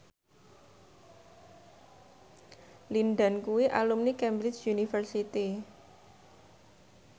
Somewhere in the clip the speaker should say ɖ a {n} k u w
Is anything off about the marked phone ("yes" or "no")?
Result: no